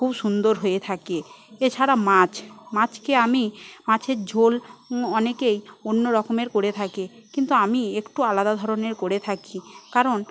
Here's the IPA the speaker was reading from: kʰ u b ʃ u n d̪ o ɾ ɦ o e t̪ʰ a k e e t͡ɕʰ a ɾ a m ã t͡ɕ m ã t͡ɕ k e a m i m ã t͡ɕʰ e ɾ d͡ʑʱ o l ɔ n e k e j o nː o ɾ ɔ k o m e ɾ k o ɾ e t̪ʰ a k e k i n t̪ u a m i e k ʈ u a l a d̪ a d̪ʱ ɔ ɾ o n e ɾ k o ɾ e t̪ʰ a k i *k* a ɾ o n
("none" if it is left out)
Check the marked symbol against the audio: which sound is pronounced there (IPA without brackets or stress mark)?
k